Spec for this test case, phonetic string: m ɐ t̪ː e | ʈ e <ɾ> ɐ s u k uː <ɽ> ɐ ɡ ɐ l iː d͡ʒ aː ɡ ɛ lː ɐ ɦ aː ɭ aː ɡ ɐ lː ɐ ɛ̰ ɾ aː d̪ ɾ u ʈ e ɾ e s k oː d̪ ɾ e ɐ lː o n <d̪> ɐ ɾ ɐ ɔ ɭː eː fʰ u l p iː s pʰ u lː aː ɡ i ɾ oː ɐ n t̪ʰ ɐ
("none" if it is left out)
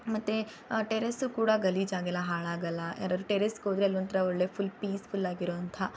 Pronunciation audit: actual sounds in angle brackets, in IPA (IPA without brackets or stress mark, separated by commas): ɾ, ɽ, t̪